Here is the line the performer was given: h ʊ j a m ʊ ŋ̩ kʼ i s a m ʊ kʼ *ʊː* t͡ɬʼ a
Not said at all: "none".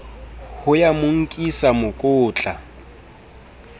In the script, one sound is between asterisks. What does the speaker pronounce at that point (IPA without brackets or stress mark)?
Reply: ʊː